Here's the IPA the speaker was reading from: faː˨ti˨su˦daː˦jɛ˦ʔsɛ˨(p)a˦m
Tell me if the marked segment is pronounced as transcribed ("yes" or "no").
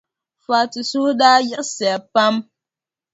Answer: yes